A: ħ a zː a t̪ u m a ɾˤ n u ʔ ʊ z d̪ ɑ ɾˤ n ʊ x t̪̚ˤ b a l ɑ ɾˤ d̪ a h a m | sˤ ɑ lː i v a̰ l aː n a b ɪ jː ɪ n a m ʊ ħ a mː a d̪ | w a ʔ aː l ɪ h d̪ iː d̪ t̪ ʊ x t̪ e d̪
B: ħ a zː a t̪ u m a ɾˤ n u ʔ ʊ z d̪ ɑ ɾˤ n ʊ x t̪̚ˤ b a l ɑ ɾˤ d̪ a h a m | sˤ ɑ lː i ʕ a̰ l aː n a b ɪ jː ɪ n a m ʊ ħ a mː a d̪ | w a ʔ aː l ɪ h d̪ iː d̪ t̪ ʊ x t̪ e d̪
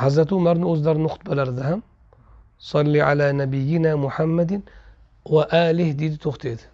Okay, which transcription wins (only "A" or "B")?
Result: B